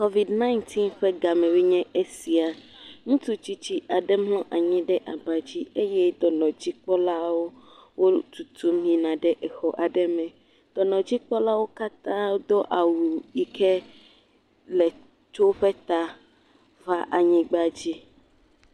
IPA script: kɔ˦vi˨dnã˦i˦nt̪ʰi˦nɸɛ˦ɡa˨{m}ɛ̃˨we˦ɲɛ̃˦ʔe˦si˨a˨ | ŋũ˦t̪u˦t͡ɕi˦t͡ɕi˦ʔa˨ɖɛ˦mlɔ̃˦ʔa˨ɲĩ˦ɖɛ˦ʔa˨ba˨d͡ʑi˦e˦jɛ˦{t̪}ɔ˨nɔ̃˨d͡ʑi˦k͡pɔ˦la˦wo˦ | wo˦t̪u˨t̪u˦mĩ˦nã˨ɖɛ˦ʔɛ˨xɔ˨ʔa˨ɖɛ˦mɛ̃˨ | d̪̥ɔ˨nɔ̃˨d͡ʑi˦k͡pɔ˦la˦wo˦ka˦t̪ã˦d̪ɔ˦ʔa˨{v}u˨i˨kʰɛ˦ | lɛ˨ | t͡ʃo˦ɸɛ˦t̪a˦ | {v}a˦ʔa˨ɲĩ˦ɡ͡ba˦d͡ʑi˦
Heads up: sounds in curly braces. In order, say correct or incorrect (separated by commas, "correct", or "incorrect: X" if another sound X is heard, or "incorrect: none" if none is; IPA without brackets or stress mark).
correct, incorrect: d̪, incorrect: w, correct